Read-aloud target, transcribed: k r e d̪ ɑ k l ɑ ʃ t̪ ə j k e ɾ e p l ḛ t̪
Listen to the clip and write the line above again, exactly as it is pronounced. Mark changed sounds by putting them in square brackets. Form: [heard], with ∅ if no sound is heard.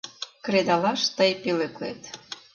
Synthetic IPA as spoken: k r e d̪ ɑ [∅] l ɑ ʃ t̪ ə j [p] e [l] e [k] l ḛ t̪